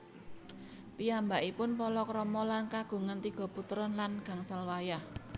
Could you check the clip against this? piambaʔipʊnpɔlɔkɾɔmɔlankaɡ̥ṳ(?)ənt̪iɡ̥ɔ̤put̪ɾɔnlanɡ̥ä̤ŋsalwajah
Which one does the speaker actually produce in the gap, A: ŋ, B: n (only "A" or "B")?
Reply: A